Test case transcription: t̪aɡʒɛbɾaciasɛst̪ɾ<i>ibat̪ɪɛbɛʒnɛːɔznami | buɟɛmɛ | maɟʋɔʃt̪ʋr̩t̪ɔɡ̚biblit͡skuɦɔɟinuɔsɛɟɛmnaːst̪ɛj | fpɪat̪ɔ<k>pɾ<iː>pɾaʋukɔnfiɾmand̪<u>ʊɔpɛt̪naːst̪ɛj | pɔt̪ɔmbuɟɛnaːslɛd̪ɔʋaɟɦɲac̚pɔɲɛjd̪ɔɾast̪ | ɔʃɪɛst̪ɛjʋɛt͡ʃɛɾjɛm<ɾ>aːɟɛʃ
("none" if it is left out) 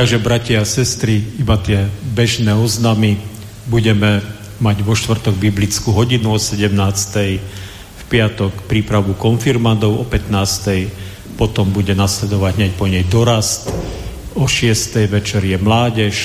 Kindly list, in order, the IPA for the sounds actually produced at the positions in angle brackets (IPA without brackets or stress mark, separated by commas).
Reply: i, k, iː, ɔ, l